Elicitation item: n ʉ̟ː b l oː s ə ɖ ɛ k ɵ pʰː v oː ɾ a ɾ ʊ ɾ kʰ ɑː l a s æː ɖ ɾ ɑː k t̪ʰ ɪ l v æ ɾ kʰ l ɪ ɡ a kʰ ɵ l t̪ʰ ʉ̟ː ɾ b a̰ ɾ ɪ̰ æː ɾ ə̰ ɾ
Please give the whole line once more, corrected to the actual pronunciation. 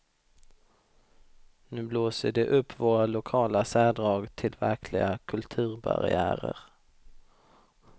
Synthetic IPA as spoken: n ʉ̟ː b l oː s ə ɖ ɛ ʔ ɵ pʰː v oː ɾ a l ʊ kʰ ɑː l a s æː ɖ ɾ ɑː ɡ t̪ʰ ɪ l v æ ɾ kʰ l ɪ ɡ a kʰ ɵ l t̪ʰ ʉ̟ː ɾ b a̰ ɾ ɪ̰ æː ɾ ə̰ ɾ